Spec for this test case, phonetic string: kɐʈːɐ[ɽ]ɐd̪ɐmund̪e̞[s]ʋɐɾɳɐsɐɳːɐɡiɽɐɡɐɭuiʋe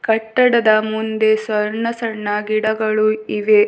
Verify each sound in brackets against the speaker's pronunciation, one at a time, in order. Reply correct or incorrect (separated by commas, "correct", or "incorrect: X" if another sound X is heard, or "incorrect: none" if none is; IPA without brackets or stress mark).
correct, correct